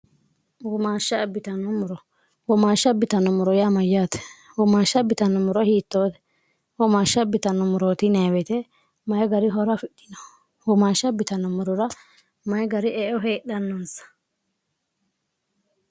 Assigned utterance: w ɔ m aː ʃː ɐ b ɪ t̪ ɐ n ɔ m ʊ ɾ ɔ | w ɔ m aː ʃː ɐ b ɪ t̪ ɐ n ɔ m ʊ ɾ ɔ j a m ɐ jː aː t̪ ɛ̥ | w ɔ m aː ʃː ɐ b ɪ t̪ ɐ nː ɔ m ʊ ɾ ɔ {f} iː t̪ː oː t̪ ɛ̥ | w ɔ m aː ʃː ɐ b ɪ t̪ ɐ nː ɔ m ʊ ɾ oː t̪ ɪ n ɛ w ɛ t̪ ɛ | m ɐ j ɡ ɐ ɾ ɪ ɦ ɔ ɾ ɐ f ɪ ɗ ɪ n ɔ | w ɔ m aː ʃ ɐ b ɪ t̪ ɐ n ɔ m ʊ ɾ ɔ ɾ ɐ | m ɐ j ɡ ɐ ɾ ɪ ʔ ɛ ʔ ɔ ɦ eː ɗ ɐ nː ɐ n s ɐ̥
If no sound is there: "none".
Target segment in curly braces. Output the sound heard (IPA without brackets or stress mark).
h